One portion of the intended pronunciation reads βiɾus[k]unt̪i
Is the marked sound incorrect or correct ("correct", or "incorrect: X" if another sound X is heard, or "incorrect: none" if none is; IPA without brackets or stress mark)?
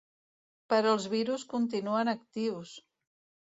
correct